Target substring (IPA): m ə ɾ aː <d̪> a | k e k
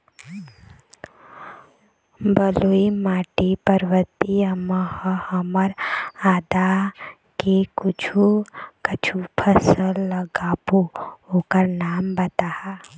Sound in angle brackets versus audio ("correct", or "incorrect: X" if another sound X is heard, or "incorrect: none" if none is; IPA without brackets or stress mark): correct